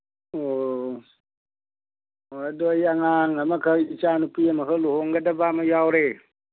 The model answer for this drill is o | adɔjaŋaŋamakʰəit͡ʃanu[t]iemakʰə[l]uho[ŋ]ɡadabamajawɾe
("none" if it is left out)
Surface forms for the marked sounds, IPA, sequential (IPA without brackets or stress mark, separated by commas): p, l, ŋ